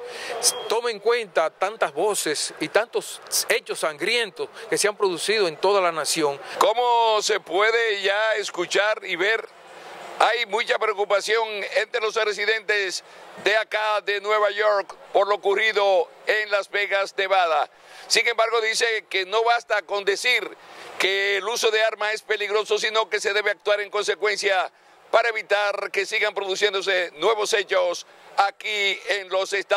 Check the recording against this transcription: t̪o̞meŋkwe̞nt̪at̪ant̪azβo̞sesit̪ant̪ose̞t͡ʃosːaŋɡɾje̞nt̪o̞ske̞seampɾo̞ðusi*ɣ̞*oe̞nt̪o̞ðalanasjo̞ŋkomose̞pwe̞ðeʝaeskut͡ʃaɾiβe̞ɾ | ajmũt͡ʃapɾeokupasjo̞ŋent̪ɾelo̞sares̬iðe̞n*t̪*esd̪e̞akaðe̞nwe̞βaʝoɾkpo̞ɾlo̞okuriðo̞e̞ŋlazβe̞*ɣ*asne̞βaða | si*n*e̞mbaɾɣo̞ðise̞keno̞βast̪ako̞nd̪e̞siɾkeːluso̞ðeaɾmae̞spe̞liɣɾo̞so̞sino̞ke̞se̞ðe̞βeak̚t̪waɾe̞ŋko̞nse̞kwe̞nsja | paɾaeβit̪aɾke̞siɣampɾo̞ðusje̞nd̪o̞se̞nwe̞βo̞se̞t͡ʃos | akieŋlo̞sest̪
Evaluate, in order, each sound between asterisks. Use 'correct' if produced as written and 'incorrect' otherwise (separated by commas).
incorrect, correct, correct, incorrect